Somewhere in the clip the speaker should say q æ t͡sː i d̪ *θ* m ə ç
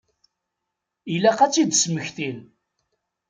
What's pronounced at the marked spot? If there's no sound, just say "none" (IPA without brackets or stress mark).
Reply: s